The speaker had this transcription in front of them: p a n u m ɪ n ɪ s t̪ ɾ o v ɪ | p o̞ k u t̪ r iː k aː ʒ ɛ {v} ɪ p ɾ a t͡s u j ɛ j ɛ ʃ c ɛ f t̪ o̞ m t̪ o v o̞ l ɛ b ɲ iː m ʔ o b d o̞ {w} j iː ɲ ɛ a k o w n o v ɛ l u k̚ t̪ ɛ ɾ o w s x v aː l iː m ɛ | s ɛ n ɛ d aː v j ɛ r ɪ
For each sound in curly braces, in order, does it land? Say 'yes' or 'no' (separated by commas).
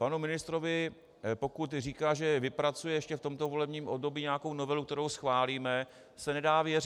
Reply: yes, no